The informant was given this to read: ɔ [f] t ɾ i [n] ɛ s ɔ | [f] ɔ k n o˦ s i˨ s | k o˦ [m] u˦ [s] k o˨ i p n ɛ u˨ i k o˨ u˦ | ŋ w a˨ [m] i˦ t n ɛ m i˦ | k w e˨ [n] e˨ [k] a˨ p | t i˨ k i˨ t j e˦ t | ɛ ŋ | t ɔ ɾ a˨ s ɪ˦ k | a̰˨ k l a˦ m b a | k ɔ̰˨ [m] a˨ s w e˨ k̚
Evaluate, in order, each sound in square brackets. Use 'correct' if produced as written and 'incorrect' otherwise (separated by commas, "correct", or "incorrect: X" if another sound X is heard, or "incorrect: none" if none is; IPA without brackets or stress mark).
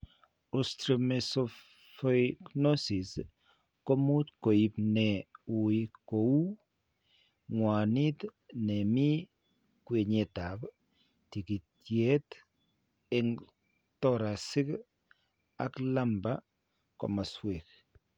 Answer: incorrect: s, incorrect: m, correct, correct, incorrect: t, incorrect: n, incorrect: ɲ, incorrect: t, correct